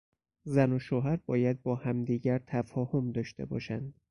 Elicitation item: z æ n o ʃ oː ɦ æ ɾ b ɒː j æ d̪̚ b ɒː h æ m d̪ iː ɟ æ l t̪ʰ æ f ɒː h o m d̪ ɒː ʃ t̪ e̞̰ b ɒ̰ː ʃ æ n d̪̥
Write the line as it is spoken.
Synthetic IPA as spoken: z æ n o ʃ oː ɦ æ ɾ b ɒː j æ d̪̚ b ɒː h æ m d̪ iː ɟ æ ɾ t̪ʰ æ f ɒː h o m d̪ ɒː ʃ t̪ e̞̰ b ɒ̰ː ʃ æ n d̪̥